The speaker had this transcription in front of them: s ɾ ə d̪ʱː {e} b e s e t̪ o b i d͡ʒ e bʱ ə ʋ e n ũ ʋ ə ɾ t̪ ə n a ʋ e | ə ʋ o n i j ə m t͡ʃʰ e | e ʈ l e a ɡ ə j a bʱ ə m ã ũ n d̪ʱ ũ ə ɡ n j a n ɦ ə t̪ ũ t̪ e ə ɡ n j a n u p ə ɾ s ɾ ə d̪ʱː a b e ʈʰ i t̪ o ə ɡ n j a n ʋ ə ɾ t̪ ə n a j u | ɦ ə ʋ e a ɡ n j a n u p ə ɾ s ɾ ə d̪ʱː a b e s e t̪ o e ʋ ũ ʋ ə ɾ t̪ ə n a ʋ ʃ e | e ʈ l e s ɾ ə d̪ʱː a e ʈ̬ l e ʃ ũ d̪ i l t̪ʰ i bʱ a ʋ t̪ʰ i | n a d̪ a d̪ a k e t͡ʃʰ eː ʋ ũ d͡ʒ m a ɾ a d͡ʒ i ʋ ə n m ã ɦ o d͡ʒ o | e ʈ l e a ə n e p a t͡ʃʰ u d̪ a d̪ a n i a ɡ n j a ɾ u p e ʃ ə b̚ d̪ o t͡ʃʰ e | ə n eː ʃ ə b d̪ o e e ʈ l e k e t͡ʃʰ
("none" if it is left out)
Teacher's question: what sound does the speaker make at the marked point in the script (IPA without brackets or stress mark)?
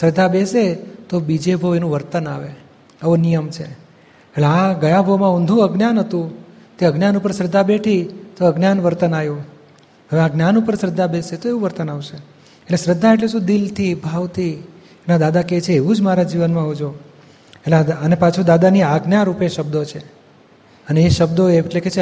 a